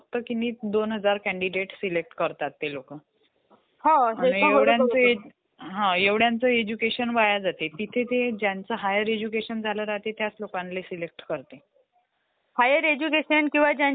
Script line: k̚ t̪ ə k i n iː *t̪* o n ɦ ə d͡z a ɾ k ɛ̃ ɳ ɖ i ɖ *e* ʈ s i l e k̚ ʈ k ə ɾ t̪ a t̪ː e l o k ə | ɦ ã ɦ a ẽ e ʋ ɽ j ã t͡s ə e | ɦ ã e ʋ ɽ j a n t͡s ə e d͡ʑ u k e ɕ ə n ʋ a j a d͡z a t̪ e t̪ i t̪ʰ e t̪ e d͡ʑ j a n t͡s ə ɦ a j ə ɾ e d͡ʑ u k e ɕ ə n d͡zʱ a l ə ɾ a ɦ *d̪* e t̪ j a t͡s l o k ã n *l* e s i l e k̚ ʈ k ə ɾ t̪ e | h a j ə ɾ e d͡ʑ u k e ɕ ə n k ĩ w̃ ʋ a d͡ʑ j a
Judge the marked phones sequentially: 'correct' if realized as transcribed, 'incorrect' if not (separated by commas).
incorrect, correct, incorrect, correct